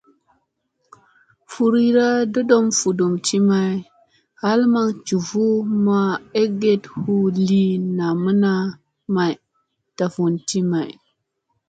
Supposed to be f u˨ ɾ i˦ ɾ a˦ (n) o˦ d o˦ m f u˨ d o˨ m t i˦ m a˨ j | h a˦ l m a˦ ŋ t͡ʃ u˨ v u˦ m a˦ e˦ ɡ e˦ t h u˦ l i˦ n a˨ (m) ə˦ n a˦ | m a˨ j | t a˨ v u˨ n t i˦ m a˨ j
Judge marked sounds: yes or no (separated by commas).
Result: no, yes